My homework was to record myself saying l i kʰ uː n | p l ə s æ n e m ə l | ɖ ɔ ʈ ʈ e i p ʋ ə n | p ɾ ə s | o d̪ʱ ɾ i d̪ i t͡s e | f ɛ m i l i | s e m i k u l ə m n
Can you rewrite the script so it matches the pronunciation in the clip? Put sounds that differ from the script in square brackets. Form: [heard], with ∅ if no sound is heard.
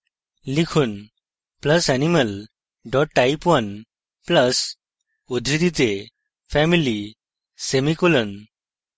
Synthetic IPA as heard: l i kʰ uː n | p l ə s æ n [i] m ə l | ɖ ɔ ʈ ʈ [a] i p ʋ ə n | p [l] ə s | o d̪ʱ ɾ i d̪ i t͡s e | f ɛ m i l i | s e m i k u l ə [∅] n